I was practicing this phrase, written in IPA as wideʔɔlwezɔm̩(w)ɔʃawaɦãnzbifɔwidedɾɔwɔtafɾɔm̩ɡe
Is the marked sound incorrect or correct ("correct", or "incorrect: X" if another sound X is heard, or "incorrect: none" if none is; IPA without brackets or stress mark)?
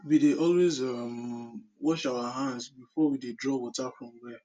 correct